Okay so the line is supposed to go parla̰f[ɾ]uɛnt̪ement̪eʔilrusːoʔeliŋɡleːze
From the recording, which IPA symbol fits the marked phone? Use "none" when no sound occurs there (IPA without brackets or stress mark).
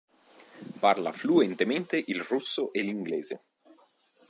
l